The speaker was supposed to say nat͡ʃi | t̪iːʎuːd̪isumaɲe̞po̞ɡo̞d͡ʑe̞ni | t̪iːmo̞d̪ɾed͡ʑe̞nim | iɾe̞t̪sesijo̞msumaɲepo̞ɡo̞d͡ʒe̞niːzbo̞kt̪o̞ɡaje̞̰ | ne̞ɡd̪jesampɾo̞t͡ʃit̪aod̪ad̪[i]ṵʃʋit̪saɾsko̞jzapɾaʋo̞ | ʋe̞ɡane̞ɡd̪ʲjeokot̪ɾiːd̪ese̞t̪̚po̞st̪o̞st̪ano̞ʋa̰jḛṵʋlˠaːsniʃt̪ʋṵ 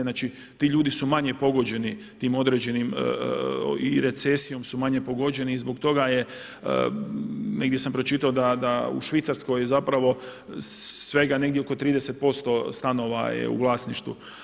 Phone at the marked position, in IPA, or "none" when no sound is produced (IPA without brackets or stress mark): a